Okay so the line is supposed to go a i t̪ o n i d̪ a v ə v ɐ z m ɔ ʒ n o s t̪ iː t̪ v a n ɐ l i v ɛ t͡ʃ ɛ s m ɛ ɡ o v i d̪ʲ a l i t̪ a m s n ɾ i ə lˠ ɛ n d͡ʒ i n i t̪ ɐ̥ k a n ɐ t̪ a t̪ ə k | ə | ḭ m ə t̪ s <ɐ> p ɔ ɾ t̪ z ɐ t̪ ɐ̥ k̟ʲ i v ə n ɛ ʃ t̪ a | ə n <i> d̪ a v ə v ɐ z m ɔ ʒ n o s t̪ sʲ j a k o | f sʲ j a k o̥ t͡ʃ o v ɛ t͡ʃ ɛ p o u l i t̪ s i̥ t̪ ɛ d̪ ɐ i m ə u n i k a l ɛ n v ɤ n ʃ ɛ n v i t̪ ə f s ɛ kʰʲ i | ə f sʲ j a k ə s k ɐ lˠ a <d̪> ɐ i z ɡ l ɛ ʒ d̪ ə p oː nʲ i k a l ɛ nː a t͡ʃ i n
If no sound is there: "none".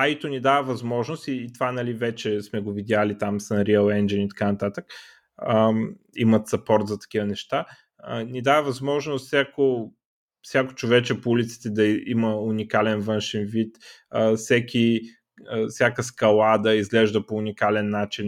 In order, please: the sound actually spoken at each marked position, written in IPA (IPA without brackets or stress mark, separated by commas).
ɐ, i, d̪